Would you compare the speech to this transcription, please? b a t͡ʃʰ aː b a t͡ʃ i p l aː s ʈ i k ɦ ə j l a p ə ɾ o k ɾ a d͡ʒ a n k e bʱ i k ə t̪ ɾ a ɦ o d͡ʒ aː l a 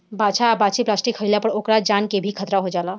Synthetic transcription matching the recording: b a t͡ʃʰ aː b a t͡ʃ i p l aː s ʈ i k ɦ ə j l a p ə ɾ o k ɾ a d͡ʒ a n k e bʱ i kʰ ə t̪ ɾ a ɦ o d͡ʒ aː l a